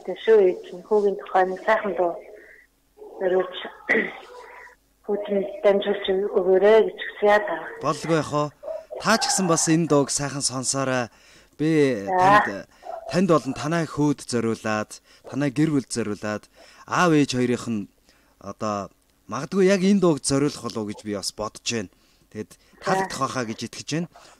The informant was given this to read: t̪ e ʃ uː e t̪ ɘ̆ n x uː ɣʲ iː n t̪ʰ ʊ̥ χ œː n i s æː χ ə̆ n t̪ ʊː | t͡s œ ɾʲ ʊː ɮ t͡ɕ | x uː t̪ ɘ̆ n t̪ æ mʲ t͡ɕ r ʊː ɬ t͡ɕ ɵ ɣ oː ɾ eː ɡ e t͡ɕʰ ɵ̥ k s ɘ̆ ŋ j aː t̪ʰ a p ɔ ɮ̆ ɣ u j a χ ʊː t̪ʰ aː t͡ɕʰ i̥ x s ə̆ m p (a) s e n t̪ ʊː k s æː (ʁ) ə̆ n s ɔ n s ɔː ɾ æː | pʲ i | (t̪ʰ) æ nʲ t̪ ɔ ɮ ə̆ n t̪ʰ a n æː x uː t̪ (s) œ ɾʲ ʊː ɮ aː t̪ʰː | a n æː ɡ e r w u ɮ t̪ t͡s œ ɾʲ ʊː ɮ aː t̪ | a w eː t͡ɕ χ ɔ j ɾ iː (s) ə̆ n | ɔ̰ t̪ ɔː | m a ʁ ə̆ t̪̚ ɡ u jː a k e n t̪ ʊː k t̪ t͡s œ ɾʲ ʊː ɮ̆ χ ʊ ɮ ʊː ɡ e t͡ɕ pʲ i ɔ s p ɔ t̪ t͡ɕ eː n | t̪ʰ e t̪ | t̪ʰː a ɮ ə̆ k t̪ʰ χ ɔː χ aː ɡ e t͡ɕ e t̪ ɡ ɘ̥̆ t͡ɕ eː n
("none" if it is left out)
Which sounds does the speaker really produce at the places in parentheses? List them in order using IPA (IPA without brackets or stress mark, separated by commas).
a, χ, t̪ʰ, t͡s, χ